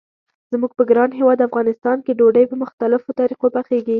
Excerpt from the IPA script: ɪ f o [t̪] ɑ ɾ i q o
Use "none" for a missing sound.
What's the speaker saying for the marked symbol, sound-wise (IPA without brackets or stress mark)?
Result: t̪